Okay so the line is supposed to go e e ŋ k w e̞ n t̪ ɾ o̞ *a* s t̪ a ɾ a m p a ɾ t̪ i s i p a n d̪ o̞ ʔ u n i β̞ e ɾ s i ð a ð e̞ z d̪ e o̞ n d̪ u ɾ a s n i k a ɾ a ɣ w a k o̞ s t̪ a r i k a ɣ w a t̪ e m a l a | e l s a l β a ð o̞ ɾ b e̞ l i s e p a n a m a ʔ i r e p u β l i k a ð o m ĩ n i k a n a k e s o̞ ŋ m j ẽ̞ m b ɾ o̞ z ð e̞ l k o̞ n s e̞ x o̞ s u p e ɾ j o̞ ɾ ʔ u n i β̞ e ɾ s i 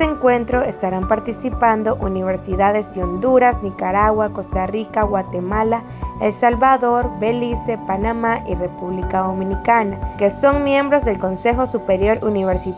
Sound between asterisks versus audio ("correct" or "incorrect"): incorrect